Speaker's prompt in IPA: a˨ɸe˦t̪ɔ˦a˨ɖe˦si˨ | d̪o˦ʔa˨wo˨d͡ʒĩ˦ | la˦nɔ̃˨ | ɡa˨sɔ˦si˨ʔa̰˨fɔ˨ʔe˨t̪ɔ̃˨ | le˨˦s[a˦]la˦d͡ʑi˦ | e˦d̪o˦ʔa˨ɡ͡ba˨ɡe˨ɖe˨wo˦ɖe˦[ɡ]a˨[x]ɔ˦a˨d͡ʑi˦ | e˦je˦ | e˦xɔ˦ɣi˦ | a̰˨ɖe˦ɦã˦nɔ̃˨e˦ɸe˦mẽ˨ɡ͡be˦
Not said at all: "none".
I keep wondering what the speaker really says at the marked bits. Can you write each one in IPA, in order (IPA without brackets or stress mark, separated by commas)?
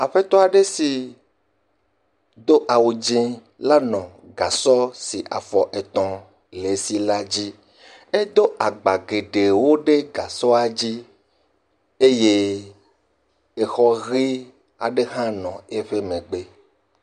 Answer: i˦, ɡ, s